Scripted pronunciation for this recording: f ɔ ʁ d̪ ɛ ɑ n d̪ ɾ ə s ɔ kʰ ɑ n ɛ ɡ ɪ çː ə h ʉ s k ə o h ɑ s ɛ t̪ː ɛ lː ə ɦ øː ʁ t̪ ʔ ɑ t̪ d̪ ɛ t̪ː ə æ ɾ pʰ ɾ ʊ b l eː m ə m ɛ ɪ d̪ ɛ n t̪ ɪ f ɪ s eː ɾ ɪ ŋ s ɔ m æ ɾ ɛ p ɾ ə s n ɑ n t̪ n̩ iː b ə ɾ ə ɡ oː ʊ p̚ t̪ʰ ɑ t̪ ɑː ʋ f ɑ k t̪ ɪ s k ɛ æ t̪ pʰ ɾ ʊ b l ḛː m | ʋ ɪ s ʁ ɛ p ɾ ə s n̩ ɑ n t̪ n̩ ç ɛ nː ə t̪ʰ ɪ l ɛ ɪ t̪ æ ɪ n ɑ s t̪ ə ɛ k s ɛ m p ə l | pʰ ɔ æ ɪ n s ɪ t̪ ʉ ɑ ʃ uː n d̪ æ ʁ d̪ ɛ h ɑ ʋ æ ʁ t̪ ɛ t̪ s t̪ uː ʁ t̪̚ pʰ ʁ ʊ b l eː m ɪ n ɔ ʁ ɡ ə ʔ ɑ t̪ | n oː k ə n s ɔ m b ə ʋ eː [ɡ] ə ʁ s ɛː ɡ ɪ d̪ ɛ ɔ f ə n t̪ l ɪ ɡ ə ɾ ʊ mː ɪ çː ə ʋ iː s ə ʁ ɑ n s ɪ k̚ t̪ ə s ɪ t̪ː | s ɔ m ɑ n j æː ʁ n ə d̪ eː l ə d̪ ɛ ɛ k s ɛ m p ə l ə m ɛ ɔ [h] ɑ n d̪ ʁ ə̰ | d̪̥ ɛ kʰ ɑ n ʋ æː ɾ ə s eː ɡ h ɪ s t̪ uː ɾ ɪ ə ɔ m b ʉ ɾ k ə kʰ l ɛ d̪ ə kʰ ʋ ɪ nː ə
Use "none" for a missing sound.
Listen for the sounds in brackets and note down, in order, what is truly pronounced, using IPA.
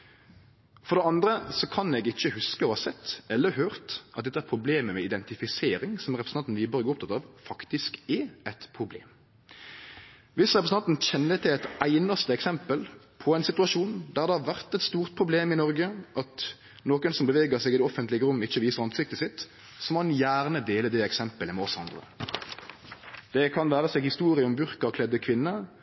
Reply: ɡ, s

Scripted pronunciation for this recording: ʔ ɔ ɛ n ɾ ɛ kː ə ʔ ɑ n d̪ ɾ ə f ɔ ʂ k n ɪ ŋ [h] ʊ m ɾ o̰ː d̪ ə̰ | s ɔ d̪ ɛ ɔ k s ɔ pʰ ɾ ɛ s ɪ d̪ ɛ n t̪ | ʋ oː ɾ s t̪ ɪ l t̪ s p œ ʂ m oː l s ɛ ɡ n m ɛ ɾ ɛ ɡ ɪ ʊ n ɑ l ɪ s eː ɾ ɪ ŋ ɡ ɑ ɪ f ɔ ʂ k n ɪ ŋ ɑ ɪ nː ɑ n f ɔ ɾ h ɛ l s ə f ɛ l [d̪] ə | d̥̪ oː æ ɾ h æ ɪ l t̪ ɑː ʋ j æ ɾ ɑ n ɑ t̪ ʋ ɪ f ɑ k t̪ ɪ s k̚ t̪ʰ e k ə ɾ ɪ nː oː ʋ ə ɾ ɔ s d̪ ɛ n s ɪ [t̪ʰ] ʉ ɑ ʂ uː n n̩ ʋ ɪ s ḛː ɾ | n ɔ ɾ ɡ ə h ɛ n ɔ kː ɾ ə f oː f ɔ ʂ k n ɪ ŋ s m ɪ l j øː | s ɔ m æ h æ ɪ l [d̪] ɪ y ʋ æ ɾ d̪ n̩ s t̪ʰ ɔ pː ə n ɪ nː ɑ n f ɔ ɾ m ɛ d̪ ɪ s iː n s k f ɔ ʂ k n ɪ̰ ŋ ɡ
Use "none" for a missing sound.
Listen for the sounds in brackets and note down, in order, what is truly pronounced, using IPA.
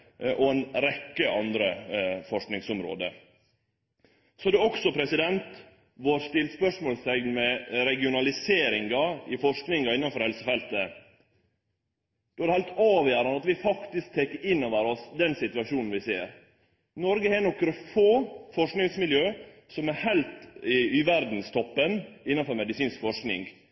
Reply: s, t̪, t̪, t̪

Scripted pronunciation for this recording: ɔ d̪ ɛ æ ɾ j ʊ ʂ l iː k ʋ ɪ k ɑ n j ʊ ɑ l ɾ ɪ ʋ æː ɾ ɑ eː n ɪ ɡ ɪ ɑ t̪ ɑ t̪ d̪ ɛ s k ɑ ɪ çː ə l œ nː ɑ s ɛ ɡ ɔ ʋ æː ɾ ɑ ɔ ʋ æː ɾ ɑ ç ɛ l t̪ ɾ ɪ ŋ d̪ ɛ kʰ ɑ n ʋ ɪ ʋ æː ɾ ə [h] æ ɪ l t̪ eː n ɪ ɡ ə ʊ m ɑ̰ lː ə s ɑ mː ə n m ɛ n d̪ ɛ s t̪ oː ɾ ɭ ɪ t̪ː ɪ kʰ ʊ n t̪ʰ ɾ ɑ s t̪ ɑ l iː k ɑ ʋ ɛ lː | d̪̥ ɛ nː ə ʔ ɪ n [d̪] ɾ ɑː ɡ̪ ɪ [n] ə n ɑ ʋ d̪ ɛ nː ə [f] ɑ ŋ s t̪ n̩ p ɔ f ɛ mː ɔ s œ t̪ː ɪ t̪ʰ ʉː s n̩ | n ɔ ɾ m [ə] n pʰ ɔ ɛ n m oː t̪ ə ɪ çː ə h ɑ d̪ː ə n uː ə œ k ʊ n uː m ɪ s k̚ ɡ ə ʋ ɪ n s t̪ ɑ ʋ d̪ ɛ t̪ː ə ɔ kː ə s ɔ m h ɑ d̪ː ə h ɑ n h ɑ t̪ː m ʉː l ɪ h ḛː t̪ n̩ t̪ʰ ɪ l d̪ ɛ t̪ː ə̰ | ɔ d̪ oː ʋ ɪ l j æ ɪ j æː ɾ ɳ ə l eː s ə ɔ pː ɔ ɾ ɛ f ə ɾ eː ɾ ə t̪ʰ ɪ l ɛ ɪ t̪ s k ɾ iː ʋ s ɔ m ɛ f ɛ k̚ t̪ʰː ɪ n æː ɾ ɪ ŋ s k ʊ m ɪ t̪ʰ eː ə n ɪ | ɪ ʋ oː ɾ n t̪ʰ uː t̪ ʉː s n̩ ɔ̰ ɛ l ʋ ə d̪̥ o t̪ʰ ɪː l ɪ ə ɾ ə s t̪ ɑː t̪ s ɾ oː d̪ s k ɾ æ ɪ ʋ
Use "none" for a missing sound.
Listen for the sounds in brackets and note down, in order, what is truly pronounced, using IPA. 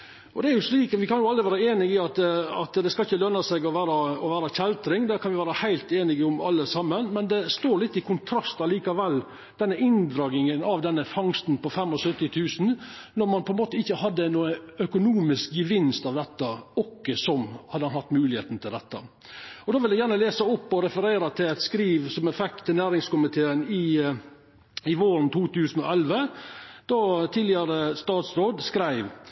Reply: h, d̪, ŋ, f, ɑ

